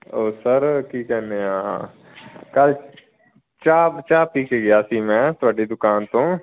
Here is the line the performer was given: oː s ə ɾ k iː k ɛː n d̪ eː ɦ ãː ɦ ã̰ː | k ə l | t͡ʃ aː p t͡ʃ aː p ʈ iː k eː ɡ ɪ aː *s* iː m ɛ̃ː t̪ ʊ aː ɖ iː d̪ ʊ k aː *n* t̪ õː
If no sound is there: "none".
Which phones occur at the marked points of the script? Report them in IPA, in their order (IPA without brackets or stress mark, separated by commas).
s, n